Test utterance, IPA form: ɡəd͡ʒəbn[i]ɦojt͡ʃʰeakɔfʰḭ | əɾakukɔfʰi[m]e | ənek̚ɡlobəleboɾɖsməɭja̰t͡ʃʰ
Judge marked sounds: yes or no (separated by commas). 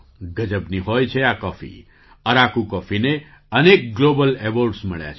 yes, no